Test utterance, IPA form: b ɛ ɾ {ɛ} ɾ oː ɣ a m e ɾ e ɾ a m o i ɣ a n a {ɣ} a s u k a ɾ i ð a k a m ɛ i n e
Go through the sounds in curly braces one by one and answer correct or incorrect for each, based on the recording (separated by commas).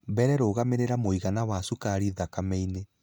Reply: correct, incorrect